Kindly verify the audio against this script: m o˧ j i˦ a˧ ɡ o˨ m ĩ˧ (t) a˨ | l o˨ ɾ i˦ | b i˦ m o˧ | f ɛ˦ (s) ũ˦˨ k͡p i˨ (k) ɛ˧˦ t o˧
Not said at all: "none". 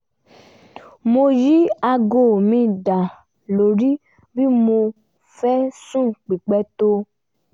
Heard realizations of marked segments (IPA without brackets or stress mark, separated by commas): d, s, k͡p